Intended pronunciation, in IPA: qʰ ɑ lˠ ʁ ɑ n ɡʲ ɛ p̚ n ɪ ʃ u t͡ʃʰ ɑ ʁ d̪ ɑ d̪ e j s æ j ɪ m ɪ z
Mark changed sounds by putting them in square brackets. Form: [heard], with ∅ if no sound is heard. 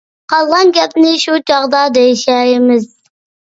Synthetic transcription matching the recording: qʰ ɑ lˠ ʁ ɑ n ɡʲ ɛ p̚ n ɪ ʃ u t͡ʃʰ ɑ ʁ d̪ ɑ d̪ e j [ʃ] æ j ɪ m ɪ z